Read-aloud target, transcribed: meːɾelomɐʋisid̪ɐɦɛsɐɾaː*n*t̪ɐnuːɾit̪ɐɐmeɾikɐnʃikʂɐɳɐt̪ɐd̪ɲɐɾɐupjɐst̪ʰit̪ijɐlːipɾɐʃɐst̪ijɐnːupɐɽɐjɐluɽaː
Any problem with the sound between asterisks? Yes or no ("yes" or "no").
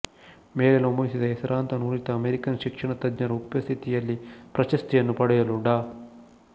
no